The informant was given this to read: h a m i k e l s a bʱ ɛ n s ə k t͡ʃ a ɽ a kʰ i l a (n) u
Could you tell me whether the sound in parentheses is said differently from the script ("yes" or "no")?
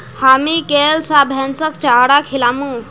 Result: yes